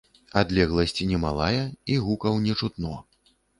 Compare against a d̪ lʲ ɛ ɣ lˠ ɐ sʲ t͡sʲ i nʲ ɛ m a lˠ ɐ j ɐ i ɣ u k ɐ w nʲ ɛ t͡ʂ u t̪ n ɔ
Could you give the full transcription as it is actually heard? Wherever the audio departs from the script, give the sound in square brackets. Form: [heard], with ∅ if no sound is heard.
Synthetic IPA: a d̪ lʲ ɛ ɣ lˠ ɐ sʲ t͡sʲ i nʲ ɛ m a lˠ [a] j ɐ i ɣ u k ɐ w nʲ ɛ t͡ʂ u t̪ n ɔ